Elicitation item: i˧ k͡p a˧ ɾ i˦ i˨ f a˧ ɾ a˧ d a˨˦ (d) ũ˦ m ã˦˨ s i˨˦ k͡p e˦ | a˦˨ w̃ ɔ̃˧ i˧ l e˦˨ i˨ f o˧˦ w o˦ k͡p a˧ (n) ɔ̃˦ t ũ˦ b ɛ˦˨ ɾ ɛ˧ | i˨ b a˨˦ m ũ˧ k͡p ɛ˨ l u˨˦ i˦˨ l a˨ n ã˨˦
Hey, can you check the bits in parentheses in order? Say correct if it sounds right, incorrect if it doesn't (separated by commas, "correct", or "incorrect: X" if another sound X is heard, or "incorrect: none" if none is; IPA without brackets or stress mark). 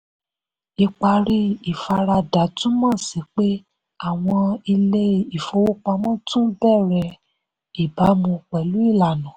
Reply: incorrect: t, incorrect: m